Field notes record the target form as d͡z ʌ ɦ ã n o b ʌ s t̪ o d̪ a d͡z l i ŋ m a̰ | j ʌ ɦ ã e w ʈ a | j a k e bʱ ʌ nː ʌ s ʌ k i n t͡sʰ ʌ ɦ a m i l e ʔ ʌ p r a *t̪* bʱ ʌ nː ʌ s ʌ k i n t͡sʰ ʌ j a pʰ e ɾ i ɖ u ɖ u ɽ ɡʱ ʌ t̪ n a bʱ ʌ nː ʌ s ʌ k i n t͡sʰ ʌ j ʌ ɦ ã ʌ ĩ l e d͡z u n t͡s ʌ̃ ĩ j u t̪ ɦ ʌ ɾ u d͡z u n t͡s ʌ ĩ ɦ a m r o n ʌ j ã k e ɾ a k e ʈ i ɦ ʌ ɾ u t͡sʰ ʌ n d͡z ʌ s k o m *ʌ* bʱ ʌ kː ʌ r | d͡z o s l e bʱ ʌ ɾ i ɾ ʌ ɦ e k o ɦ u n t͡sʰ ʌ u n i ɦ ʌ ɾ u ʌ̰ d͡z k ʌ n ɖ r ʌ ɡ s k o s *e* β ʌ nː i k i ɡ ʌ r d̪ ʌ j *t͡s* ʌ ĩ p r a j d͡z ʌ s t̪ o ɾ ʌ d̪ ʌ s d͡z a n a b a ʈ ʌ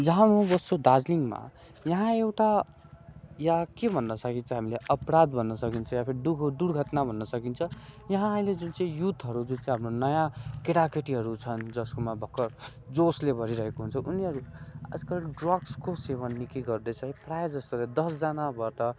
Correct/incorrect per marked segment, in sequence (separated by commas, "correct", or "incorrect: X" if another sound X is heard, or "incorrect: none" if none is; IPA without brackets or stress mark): incorrect: d̪, incorrect: a, correct, incorrect: t͡sʰ